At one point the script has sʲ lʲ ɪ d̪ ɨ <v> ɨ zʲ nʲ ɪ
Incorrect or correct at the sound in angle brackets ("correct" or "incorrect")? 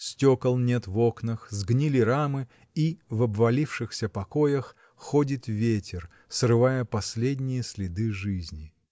incorrect